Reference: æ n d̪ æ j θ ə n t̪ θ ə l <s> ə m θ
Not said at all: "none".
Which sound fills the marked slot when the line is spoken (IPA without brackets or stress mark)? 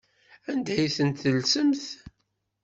s